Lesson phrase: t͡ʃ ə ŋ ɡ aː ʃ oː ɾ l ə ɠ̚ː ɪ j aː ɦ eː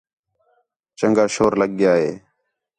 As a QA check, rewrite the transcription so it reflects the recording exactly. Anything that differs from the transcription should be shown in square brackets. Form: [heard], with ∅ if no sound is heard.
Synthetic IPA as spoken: t͡ʃ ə ŋ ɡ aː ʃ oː ɾ l ə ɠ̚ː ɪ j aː ɦ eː